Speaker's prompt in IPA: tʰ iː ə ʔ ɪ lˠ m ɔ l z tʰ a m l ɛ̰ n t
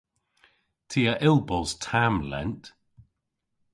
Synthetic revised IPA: tʰ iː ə ʔ ɪ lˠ b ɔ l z tʰ a m l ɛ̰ n t

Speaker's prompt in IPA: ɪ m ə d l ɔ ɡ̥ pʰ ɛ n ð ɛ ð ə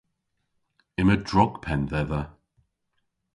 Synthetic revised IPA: ɪ m ə d ɹ ɔ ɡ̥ pʰ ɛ n ð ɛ ð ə

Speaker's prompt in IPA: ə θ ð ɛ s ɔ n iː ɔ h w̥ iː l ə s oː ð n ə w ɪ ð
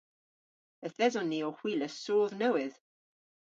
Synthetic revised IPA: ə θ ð ɛ z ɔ n i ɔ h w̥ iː l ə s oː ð n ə w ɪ ð

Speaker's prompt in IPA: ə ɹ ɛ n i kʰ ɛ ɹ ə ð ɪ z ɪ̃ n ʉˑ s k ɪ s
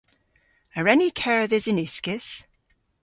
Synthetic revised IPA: ə ɹ ɛ n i kʰ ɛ ɹ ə ð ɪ z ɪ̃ n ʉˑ s k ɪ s

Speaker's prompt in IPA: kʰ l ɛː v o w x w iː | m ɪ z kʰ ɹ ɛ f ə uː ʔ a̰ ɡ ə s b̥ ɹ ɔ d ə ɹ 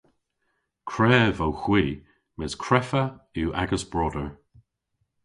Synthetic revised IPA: kʰ ɹ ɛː v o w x w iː | m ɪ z kʰ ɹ ɛ f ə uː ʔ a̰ ɡ ə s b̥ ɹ ɔ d ə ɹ

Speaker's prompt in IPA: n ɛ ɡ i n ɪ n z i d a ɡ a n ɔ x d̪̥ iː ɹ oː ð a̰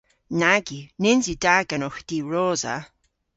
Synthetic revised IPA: n a ɡ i n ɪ n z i d a ɡ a n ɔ x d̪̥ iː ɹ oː z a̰

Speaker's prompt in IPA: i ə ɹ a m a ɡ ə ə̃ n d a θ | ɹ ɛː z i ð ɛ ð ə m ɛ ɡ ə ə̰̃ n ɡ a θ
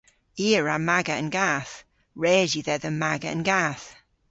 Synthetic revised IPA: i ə ɹ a m a ɡ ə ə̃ n ɡ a θ | ɹ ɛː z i ð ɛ ð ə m a ɡ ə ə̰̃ n ɡ a θ

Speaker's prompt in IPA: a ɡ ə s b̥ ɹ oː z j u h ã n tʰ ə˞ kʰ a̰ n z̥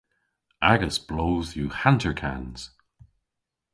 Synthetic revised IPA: a ɡ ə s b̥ l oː z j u h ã n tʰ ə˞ kʰ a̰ n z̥

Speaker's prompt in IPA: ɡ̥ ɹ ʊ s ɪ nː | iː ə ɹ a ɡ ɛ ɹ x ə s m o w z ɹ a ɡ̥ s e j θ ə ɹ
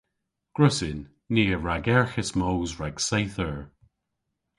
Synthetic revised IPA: ɡ̥ ɹ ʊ s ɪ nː | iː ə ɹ a ɡ ɛ ɹ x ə s m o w z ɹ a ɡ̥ s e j θ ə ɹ

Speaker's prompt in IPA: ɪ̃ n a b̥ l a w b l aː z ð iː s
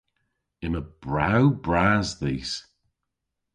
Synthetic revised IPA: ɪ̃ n ə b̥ ɹ a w b ɹ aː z ð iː s

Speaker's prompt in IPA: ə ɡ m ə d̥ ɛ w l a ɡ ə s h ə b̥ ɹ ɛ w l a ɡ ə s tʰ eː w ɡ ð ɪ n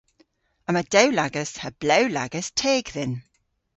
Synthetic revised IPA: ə m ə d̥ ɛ w l a ɡ ə s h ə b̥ l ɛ w l a ɡ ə s tʰ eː ɡ ð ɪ n

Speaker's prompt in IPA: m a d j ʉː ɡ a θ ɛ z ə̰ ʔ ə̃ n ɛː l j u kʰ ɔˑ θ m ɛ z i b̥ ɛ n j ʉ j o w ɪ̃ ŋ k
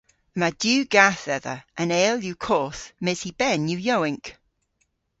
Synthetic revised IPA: m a d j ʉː ɡ a θ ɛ ð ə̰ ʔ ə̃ n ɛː l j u kʰ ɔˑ θ m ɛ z i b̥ ɛ n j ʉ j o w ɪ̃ ŋ k

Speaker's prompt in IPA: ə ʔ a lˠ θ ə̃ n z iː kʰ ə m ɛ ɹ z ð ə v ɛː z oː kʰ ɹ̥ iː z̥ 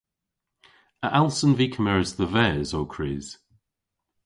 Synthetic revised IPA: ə ʔ a lˠ s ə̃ n v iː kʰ ə m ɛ ɹ z ð ə v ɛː z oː kʰ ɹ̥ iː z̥

